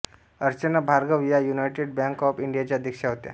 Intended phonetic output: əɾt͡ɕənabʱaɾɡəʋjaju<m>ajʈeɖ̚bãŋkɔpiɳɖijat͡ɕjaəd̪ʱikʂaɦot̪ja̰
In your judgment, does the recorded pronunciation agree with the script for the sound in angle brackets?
no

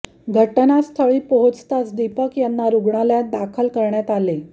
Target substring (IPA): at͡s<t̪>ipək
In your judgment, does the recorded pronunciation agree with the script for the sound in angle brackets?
no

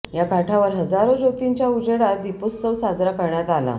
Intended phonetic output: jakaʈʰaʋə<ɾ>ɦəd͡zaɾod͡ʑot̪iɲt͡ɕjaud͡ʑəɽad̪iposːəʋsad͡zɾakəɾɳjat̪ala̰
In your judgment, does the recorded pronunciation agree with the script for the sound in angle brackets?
yes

